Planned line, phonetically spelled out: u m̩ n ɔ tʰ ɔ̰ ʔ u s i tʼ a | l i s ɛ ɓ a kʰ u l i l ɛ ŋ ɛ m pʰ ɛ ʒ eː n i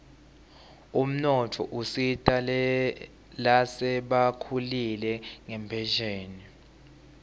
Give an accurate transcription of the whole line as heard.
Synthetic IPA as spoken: u m̩ n ɔ tʰ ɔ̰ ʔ u s i tʼ a | l a s ɛ ɓ a kʰ u l i l ɛ ŋ ɛ m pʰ ɛ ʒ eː n i